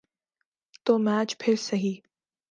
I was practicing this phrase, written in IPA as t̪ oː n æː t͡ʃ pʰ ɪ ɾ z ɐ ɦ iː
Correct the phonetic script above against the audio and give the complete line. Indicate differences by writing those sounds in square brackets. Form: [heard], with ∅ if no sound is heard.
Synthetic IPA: t̪ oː [m] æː t͡ʃ pʰ ɪ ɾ [s] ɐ ɦ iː